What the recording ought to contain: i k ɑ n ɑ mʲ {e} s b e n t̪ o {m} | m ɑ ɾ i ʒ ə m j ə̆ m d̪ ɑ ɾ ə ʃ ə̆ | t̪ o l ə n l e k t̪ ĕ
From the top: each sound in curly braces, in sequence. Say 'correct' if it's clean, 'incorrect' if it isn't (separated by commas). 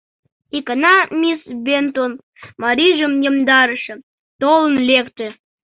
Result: incorrect, incorrect